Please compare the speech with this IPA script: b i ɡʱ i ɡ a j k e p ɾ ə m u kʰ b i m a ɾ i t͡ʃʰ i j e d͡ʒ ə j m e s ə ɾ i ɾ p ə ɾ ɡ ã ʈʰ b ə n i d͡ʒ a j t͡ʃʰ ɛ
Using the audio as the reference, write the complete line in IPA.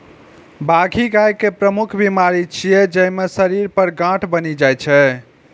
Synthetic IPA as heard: b a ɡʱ i ɡ a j k e p ɾ ə m u kʰ b i m a ɾ i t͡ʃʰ i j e d͡ʒ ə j m e s ə ɾ i ɾ p ə ɾ ɡ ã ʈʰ b ə n i d͡ʒ a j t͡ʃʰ ɛ